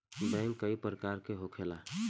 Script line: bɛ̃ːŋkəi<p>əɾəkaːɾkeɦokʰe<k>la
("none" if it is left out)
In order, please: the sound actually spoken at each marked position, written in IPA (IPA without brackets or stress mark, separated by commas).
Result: p, none